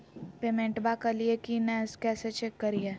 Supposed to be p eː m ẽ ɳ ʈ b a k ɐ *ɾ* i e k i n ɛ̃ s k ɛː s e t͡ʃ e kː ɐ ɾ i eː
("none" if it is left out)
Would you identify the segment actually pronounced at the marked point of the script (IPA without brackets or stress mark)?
l